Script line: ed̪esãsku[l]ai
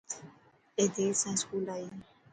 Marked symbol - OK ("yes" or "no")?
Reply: yes